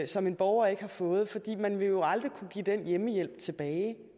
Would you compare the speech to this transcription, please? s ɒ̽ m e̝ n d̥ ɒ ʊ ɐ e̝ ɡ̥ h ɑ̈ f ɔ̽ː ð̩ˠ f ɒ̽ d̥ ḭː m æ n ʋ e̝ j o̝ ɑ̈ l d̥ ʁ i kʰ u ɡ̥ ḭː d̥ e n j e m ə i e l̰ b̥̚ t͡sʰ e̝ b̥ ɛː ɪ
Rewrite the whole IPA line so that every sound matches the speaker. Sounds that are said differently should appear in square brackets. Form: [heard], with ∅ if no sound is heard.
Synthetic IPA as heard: s ɒ̽ m e̝ n [b̥] ɒ ʊ ɐ e̝ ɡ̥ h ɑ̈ f ɔ̽ː ð̩ˠ f ɒ̽ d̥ ḭː m æ n ʋ e̝ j o̝ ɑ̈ l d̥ ʁ i kʰ u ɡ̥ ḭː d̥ e n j e m ə [j] e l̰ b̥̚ t͡sʰ e̝ b̥ ɛː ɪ